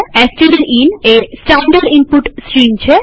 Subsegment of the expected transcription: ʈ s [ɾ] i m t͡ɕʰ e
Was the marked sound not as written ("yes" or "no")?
no